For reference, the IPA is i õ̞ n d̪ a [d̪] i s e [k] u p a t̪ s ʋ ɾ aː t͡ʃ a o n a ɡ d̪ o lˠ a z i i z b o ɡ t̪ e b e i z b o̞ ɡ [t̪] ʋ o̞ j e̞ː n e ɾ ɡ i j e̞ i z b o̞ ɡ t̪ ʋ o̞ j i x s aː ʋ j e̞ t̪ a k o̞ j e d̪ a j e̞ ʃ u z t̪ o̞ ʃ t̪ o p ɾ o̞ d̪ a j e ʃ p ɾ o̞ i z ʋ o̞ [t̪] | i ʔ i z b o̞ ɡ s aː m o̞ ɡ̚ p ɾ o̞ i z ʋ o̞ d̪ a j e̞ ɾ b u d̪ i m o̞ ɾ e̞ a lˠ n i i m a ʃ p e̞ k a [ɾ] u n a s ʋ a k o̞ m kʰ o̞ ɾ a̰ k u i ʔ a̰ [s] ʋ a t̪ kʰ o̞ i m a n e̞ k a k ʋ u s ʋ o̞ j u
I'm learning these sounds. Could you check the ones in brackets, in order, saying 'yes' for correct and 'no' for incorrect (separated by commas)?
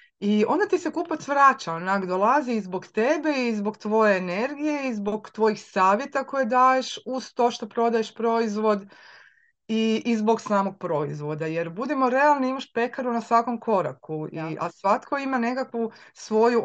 no, yes, yes, no, yes, yes